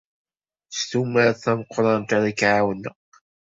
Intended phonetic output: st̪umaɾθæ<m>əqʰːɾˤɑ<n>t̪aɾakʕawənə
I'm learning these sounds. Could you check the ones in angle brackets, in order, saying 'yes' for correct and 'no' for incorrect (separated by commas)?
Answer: yes, yes